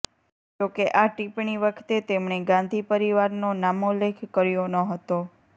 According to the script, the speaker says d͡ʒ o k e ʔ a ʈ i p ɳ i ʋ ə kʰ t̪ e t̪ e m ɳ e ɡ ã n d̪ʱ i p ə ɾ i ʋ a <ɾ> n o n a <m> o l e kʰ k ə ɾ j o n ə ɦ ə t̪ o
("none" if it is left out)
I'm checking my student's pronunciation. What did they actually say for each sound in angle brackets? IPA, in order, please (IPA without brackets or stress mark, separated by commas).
ɾ, m